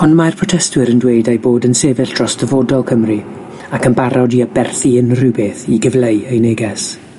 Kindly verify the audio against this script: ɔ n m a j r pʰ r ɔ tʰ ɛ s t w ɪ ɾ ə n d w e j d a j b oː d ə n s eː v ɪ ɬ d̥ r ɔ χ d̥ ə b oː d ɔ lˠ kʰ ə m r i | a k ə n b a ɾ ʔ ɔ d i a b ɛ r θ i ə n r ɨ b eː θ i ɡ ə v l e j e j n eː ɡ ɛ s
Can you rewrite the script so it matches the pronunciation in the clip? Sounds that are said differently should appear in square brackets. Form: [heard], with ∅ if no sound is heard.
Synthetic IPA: ɔ n m a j r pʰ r ɔ tʰ ɛ s t w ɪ ɾ ə n d w e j d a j b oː d ə n s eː v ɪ ɬ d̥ r ɔ [s] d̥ ə [v] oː d ɔ lˠ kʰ ə m r i | a k ə n b a ɾ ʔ ɔ d i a b ɛ r θ i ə n r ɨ b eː θ i ɡ ə v l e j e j n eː ɡ ɛ s

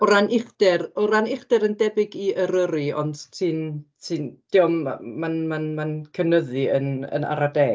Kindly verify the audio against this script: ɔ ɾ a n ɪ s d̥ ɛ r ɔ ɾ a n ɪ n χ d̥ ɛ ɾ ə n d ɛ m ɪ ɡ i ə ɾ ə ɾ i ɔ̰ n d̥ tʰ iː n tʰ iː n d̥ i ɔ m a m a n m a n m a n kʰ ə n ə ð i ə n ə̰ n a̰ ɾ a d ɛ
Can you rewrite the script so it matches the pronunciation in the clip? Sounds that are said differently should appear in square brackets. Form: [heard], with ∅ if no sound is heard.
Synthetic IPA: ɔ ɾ a n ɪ [χ] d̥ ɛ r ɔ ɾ a n ɪ [∅] χ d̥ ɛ ɾ ə n d ɛ [b] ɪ ɡ i ə ɾ ə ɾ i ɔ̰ n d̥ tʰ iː n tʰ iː n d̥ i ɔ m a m a n m a n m a n kʰ ə n ə ð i ə n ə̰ n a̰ ɾ a d ɛ

